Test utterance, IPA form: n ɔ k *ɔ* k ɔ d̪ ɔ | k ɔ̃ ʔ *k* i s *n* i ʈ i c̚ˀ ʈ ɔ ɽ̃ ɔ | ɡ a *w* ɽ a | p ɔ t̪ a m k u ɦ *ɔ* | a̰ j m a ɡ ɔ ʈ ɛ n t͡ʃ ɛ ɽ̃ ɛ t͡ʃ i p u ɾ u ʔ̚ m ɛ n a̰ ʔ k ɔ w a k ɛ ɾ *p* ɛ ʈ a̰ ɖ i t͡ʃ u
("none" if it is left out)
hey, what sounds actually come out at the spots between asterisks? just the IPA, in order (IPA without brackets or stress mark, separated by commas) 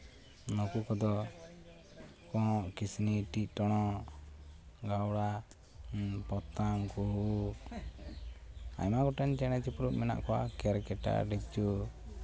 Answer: u, k, n, w, u, k